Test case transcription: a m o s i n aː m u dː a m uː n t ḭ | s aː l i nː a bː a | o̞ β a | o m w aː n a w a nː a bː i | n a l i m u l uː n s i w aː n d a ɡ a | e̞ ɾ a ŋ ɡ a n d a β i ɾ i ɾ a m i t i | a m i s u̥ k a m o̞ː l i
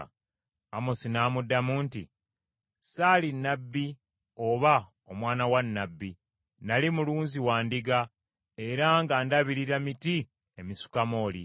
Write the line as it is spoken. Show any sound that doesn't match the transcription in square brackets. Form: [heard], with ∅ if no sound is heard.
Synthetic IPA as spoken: a m o s i n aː m u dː a m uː n t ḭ | s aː l i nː a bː [i] | o̞ β a | o m w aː n a w a nː a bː i | n a l i m u l uː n [z] i w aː n d [i] ɡ a | e̞ ɾ a ŋ ɡ a n d a β i ɾ i ɾ a m i t i | [e] m i s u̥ k a m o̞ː l i